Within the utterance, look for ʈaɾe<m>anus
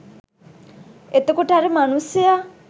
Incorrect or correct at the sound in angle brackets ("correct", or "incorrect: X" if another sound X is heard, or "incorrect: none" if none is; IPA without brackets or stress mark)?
correct